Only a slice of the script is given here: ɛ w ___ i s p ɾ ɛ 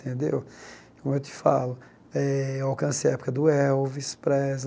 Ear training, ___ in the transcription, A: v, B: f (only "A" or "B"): A